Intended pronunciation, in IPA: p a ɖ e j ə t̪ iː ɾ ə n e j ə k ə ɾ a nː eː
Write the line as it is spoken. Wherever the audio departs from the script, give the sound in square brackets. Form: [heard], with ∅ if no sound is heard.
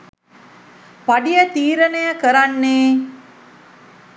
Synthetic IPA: p a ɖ [i] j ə t̪ iː ɾ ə n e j ə k ə ɾ a nː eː